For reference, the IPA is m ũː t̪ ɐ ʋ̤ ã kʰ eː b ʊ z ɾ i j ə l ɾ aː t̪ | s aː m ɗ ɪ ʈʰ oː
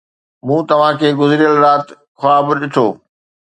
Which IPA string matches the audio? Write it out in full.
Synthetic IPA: m ũː t̪ ɐ ʋ̤ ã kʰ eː ɡ ʊ z ɾ i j ə l ɾ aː t̪ | x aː b ɗ ɪ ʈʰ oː

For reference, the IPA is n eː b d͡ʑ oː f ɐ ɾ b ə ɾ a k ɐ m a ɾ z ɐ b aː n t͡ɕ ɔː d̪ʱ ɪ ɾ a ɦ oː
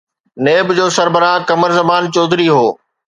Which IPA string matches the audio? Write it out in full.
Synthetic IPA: n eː b d͡ʑ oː s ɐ ɾ b ə ɾ a k ɐ m ə ɾ z ɐ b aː n t͡ɕ ɔː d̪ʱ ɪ ɾ i ɦ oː

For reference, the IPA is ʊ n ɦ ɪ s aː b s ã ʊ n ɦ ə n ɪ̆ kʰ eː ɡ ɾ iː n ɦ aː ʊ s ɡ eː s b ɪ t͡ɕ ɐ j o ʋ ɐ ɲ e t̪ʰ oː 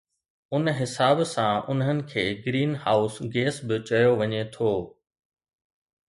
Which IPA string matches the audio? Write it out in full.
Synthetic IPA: ʊ n ɦ ɪ s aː b s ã ʊ n ɦ ə n ɪ̆ kʰ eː ɡ ɾ iː n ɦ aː ʊ s ɡ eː s b ɪ t͡ɕ ɐ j o ʋ ɐ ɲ e t̪ʰ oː

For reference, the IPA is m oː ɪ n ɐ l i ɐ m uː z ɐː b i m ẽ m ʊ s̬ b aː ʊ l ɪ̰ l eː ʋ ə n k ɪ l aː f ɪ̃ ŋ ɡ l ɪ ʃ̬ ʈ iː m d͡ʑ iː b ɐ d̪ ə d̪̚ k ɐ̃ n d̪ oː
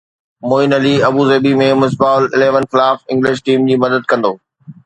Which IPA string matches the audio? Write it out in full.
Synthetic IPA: m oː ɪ n ɐ l i ɐ b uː z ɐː b i m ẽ m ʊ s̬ b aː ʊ l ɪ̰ l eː ʋ ə n x ɪ l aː f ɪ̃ ŋ ɡ l ɪ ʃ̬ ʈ iː m d͡ʑ iː m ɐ d̪ ə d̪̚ k ɐ̃ n d̪ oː

